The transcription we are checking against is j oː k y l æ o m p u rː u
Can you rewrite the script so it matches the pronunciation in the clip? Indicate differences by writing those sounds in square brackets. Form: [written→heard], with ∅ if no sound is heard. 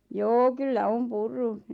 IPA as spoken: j oː k y [l→lː] æ o m p u rː u